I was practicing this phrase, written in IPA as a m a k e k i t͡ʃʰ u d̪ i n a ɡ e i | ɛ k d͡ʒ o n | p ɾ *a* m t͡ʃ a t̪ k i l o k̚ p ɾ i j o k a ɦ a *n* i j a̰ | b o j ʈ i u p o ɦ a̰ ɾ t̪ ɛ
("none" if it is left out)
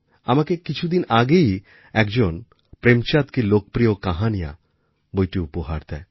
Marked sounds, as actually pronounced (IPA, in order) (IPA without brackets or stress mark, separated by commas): e, n